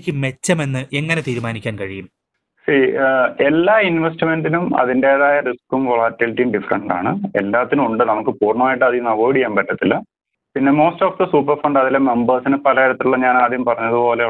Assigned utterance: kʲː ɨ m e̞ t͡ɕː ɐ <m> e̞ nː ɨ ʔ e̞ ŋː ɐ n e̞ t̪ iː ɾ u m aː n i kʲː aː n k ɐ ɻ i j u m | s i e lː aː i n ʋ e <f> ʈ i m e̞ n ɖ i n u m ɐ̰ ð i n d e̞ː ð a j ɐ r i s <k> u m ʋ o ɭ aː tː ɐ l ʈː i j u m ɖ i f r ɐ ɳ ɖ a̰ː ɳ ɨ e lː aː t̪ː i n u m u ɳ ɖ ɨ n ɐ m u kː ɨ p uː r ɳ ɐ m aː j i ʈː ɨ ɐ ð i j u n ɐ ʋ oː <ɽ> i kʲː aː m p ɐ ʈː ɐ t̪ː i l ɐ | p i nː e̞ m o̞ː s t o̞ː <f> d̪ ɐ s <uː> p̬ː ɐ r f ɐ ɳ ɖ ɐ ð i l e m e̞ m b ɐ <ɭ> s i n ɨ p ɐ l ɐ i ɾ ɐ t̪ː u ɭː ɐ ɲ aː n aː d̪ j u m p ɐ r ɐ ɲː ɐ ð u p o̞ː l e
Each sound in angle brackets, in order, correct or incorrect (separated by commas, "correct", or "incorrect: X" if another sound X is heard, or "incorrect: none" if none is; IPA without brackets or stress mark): correct, incorrect: s, correct, correct, correct, correct, incorrect: r